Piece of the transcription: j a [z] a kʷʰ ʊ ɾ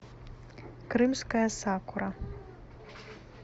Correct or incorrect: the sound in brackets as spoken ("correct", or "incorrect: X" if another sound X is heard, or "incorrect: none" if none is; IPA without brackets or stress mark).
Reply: incorrect: s